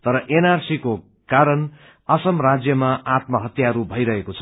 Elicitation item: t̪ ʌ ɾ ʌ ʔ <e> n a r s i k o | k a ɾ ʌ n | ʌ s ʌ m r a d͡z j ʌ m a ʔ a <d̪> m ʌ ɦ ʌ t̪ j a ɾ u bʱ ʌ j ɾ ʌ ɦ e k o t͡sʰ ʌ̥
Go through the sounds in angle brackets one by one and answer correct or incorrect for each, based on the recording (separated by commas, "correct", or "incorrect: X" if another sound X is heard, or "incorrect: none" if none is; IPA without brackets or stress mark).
correct, incorrect: t̪